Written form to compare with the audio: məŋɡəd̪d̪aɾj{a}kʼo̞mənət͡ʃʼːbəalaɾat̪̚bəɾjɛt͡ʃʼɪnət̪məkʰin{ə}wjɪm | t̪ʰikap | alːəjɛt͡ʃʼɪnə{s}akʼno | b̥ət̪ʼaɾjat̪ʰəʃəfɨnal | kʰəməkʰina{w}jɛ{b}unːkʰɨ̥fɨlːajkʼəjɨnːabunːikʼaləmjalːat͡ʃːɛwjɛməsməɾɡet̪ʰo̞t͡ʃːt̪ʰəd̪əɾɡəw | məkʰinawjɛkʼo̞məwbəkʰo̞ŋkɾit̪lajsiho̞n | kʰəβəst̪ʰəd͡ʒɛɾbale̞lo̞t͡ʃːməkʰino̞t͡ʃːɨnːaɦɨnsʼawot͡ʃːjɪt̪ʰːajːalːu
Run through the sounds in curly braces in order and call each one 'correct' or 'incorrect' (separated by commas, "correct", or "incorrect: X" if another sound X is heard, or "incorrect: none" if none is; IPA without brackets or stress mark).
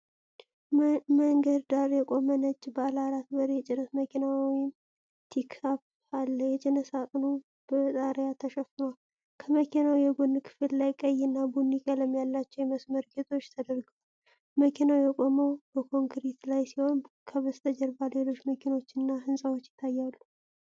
incorrect: ɛ, incorrect: a, correct, correct, incorrect: ɡ